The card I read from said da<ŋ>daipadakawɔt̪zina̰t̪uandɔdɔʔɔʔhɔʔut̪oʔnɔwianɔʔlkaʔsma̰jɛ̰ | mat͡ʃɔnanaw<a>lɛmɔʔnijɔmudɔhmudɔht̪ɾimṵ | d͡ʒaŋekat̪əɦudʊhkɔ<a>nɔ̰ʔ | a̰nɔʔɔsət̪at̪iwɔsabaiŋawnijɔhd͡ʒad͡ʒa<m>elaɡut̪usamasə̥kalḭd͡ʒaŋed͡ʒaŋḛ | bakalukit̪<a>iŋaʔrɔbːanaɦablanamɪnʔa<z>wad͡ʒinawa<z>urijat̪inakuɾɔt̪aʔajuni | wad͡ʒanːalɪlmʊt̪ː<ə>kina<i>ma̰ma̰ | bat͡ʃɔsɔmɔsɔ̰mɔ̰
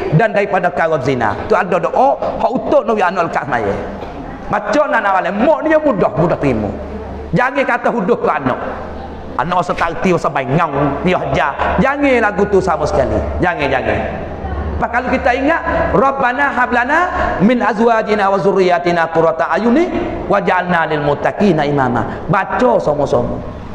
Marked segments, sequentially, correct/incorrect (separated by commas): incorrect, correct, correct, incorrect, correct, correct, correct, incorrect, correct